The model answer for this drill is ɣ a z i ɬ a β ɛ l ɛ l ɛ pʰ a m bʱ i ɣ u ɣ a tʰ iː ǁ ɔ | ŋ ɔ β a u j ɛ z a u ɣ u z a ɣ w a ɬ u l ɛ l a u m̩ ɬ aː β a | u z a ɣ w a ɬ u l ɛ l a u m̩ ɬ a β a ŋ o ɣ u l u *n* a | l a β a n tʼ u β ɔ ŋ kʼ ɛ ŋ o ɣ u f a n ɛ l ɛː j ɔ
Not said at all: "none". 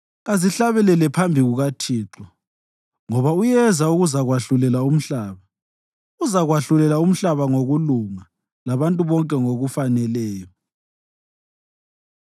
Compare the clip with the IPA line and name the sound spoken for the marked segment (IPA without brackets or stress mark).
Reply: ŋ